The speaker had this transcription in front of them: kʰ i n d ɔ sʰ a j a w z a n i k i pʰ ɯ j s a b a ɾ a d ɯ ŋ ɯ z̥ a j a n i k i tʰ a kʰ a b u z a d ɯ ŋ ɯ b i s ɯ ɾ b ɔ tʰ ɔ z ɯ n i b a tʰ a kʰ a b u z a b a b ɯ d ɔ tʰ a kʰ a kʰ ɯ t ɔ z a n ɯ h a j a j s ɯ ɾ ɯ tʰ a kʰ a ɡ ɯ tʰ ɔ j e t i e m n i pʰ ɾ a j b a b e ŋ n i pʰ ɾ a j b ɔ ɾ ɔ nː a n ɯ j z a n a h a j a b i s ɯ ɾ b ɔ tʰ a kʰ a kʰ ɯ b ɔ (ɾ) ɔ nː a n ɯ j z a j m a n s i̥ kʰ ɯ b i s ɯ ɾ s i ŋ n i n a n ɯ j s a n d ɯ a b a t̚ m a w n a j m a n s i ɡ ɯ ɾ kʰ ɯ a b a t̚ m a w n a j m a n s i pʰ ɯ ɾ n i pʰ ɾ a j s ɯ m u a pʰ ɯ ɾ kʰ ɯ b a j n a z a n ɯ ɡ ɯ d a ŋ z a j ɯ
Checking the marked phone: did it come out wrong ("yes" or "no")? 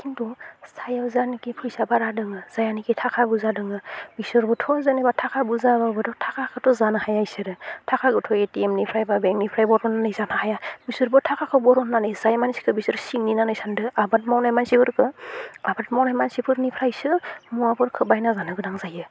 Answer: no